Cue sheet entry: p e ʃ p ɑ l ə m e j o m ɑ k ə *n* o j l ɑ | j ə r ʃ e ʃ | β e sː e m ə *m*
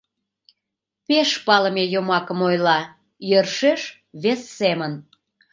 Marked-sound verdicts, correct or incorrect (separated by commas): incorrect, incorrect